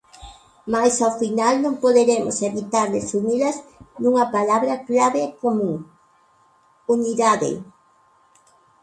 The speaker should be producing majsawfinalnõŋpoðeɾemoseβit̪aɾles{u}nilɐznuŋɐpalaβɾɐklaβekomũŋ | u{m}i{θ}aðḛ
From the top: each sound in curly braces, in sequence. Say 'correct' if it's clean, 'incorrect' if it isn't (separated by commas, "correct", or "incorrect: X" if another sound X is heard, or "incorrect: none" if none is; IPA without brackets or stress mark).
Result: correct, incorrect: n, incorrect: ð